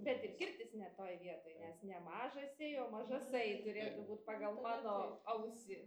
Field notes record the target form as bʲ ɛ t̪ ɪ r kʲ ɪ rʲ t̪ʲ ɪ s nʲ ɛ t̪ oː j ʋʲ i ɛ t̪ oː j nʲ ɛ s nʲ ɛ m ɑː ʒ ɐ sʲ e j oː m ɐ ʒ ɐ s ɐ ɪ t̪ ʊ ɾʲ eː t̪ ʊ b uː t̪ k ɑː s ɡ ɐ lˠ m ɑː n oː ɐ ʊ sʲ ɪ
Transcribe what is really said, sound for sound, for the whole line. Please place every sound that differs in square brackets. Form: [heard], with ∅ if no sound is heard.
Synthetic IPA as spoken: bʲ ɛ t̪ ɪ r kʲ ɪ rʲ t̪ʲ ɪ s nʲ ɛ t̪ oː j ʋʲ i ɛ t̪ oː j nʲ ɛ s nʲ ɛ m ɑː ʒ ɐ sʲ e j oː m ɐ ʒ ɐ s ɐ ɪ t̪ ʊ ɾʲ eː t̪ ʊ b uː t̪ [p] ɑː [∅] ɡ ɐ lˠ m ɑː n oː ɐ ʊ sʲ ɪ